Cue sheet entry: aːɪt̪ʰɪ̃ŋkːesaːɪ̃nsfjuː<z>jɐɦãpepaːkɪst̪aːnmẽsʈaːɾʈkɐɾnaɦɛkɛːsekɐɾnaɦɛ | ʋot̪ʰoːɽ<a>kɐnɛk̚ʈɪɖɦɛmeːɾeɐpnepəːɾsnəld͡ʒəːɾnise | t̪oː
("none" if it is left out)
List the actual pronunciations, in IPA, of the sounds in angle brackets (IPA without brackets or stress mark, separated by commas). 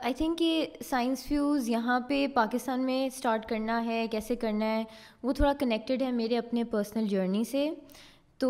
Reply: z, a